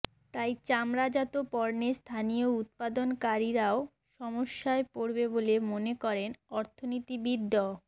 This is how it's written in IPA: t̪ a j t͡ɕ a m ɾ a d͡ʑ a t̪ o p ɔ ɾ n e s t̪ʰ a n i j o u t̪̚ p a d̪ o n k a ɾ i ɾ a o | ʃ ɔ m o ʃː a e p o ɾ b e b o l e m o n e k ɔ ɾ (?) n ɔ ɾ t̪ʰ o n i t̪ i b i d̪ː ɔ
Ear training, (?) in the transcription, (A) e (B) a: A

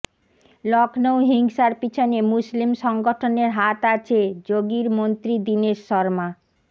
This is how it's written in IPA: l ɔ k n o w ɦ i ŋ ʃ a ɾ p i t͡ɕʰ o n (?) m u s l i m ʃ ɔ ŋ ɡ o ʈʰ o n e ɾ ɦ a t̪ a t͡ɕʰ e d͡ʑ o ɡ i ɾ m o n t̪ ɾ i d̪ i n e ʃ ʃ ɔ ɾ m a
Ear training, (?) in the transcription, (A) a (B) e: B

